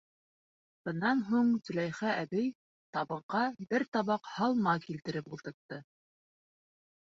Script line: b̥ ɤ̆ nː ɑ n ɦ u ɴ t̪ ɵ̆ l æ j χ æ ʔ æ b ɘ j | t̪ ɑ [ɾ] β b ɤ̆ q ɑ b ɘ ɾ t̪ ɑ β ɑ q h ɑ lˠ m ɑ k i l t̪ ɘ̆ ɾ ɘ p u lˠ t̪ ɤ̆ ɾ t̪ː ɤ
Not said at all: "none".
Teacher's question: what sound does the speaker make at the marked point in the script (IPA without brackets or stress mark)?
none